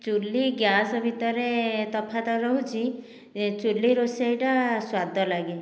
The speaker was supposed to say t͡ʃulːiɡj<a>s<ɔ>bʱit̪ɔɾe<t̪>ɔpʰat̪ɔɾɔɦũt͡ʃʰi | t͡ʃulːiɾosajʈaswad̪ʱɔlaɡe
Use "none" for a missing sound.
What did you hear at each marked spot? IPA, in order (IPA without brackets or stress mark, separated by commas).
a, ɔ, t̪